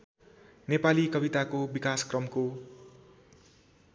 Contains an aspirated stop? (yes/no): no